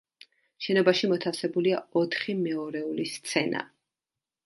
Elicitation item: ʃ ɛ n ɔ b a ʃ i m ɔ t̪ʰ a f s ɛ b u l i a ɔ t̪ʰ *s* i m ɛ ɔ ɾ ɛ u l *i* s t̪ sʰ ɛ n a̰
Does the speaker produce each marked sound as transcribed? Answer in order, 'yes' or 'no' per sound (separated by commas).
no, yes